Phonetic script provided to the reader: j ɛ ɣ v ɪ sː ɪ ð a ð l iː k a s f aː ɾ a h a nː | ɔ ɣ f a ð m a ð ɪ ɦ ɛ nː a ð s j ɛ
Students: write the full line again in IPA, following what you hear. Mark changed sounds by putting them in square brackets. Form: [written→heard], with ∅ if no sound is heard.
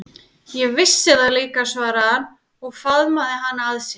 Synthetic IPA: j ɛ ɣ v ɪ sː ɪ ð a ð l iː k a s [f→v] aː ɾ a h a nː | ɔ ɣ f a ð m a ð ɪ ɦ [ɛ→a] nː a ð s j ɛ